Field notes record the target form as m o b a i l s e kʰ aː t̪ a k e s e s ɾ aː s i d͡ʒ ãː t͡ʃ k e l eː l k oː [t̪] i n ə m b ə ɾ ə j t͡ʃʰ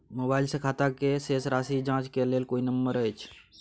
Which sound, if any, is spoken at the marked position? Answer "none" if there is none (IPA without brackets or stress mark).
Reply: none